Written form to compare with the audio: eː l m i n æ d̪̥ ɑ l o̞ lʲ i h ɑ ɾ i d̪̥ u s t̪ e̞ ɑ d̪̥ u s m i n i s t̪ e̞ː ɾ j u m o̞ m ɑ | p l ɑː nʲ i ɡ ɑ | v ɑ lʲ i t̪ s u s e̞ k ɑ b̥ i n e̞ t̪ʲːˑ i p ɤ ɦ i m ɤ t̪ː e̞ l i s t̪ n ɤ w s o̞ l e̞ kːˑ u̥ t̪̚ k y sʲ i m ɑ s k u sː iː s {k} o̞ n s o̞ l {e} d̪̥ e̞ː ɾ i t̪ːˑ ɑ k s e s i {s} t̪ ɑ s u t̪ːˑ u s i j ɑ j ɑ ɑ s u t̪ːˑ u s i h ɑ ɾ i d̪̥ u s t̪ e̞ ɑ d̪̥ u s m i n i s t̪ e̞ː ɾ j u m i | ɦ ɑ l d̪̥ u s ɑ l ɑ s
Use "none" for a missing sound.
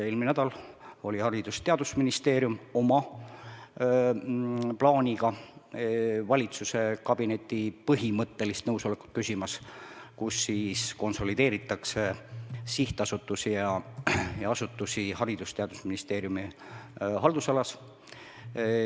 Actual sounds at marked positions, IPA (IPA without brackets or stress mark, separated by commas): k, i, h